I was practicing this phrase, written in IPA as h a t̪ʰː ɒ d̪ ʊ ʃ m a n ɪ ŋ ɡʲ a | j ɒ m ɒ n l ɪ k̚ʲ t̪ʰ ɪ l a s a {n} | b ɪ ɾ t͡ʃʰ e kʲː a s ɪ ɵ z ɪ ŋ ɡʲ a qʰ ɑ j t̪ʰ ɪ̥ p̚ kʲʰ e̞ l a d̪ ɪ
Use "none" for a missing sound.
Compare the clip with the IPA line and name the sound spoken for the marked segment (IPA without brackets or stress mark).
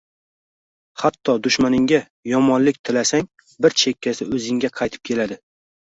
ŋ